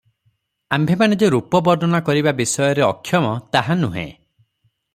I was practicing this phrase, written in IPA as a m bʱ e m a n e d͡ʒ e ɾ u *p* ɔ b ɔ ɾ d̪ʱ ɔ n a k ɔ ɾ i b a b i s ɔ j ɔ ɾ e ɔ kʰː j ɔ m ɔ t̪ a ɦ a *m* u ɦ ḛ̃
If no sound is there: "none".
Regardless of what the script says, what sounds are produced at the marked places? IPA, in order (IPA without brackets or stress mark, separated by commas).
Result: p, n